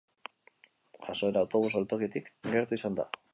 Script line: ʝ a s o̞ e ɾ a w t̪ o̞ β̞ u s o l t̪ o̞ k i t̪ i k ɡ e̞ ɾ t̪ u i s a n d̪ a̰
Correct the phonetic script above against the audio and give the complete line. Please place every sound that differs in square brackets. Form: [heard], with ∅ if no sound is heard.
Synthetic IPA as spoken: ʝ a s o̞ e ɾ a w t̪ o̞ β̞ u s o l t̪ o̞ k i t̪ i k ɡ e̞ ɾ t̪ u i s a n d̪ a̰

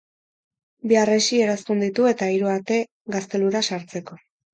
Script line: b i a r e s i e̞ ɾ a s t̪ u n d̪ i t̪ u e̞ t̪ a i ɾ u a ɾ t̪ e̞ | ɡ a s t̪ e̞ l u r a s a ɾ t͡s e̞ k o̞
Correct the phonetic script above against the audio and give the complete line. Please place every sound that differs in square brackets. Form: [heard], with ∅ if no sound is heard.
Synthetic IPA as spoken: b i a r e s i e̞ ɾ a s t̪ u n d̪ i t̪ u e̞ t̪ a i ɾ u a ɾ t̪ e̞ | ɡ a s t̪ e̞ l u [ɾ] a s a ɾ t͡s e̞ k o̞

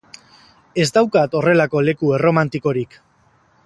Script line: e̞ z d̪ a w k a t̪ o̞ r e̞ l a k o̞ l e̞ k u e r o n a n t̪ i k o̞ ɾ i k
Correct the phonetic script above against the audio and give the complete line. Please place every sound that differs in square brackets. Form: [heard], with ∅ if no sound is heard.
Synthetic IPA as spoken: e̞ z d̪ a w k a t̪ o̞ r e̞ l a k o̞ l e̞ k u e r o [m] a n t̪ i k o̞ ɾ i k

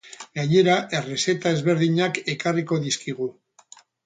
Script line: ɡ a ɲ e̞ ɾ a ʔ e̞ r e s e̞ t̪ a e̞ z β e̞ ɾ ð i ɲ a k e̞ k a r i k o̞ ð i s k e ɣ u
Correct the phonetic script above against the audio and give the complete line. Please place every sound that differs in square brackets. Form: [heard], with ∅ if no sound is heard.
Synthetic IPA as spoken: ɡ a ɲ e̞ ɾ a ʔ e̞ r e s e̞ t̪ a e̞ z β e̞ ɾ ð i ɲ a k e̞ k a r i k o̞ ð i s k [i] ɣ u

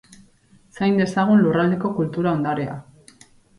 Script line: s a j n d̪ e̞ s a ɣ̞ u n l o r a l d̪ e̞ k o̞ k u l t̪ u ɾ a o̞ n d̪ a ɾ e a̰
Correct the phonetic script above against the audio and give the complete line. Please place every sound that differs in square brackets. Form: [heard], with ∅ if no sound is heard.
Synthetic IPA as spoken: s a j n d̪ e̞ s a ɣ̞ u n l [u] r a l d̪ e̞ k o̞ k u l t̪ u ɾ a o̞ n d̪ a ɾ e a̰

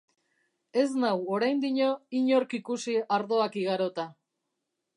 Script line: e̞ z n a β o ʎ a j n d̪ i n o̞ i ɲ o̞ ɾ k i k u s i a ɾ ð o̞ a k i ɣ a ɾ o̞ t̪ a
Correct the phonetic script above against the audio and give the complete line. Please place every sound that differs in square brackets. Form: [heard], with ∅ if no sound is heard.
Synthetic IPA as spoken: e̞ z n a [w] o [ɾ] a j n d̪ i [ɲ] o̞ i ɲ o̞ ɾ k i k u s i a ɾ ð o̞ a k i ɣ a ɾ o̞ t̪ a

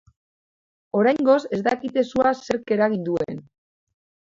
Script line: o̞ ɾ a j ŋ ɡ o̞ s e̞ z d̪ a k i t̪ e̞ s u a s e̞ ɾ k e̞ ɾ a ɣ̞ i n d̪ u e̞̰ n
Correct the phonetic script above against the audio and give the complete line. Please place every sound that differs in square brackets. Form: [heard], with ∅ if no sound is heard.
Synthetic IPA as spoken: o̞ ɾ a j ŋ ɡ o̞ s e̞ z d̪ a k i t̪ e̞ s u a s e̞ ɾ k e̞ ɾ a ɣ̞ i n d̪ u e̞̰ n

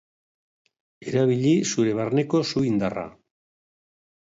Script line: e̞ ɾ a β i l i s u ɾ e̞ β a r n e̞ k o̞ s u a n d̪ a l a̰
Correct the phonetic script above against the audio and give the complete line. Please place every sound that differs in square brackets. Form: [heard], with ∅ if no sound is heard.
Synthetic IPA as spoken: e̞ ɾ a β i [ʎ] i s u ɾ e̞ β a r n e̞ k o̞ s u [i] n d̪ a [r] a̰

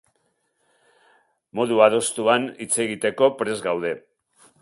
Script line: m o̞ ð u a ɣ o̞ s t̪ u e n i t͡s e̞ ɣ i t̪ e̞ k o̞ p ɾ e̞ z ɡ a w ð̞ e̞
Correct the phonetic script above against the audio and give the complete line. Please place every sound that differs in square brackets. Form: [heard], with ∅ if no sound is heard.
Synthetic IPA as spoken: m o̞ ð u a [ð] o̞ s t̪ u [a] n i t͡s e̞ ɣ i t̪ e̞ k o̞ p ɾ e̞ z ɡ a w ð̞ e̞

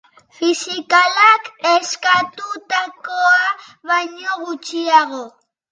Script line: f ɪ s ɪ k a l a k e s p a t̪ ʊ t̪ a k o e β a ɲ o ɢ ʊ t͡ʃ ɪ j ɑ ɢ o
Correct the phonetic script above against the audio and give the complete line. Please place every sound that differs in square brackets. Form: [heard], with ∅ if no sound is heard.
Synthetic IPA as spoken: f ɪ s ɪ k a l a k e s [k] a t̪ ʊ t̪ a k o [a] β a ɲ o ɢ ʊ t͡ʃ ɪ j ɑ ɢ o

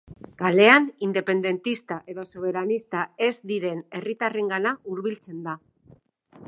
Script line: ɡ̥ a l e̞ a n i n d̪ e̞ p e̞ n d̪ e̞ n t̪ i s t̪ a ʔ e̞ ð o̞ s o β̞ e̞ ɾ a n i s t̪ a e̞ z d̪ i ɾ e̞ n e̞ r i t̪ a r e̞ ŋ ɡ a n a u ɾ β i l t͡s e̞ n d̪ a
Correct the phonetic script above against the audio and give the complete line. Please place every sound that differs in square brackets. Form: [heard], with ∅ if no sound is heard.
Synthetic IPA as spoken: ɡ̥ a l e̞ a n i n d̪ e̞ p e̞ n d̪ e̞ n t̪ i s t̪ a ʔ e̞ ð o̞ s o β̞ e̞ ɾ a n i s t̪ a e̞ z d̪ i ɾ e̞ n e̞ r i t̪ a r e̞ ŋ ɡ a n a u ɾ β i l t͡s e̞ n d̪ a

